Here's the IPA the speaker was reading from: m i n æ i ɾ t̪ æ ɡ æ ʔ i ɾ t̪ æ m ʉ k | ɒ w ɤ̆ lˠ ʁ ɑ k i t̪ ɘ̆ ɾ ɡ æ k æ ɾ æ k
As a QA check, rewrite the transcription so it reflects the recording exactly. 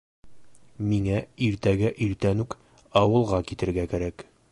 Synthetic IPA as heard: m i ŋ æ i ɾ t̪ æ ɡ æ ʔ i ɾ t̪ æ n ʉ k | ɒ w ɤ̆ lˠ ʁ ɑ k i t̪ ɘ̆ ɾ ɡ æ k æ ɾ æ k